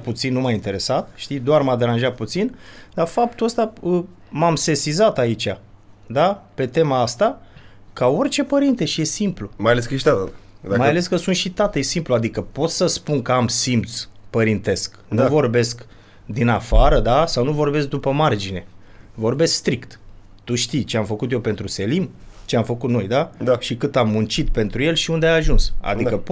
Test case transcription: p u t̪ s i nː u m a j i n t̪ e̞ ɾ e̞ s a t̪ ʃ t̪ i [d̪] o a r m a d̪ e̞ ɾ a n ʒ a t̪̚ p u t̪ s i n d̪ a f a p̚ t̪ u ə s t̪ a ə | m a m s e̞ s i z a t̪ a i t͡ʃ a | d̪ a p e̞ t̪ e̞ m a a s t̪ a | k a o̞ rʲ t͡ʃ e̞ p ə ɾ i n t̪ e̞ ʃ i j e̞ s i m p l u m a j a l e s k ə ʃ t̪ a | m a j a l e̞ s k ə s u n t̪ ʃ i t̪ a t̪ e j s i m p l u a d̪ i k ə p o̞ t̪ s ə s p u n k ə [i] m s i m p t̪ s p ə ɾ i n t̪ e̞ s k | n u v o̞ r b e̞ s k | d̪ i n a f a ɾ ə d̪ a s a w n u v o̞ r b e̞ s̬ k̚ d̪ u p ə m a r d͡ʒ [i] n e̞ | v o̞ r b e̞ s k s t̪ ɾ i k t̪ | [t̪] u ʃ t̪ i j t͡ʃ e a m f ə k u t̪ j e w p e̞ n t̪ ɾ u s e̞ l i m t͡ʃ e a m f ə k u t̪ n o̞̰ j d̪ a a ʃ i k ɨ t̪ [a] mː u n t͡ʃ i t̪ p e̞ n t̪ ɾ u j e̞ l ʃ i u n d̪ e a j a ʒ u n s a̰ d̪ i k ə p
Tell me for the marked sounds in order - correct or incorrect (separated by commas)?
correct, incorrect, correct, correct, correct